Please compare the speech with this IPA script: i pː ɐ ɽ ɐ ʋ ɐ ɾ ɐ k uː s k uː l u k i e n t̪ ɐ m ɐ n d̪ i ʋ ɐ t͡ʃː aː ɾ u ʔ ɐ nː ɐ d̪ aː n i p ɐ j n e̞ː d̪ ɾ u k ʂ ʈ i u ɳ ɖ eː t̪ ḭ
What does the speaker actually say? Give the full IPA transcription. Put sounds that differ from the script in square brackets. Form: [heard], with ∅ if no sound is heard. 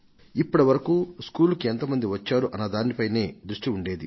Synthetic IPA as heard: i pː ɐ ɽ ɐ ʋ ɐ ɾ ɐ k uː s k uː l u k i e n t̪ ɐ m ɐ n d̪ i ʋ ɐ t͡ʃː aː ɾ u ʔ ɐ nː ɐ d̪ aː n i p ɐ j n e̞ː d̪ ɾ u [∅] ʂ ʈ i u ɳ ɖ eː [d̪] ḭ